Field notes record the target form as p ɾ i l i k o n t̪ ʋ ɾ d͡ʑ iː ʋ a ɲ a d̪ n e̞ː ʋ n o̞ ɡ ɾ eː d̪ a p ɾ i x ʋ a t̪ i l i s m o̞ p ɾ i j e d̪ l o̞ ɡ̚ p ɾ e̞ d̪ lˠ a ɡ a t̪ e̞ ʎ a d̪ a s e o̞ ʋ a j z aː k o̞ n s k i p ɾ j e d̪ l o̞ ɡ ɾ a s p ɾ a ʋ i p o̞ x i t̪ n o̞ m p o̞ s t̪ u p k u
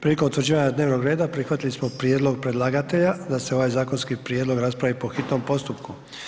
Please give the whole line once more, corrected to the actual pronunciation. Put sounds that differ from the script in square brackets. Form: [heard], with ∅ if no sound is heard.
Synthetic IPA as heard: p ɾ i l i k o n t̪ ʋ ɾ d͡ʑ iː ʋ a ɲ a d̪ n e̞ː ʋ n o̞ ɡ ɾ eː d̪ a p ɾ i x ʋ a t̪ i l i s m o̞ p ɾ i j e d̪ l o̞ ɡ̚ p ɾ e̞ d̪ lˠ a ɡ a t̪ e̞ ʎ a d̪ a s e o̞ ʋ a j z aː k o̞ n s k i p ɾ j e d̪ l o̞ ɡ ɾ a s p ɾ a ʋ i p o̞ x i t̪ n o̞ m p o̞ s t̪ u p k u